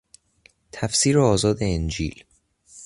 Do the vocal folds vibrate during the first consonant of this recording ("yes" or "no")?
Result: no